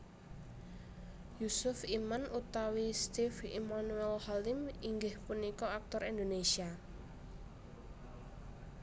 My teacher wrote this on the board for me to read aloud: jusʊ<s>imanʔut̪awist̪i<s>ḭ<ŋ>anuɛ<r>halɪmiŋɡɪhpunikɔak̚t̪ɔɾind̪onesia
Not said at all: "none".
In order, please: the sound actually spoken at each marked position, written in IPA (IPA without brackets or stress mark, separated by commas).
f, f, m, l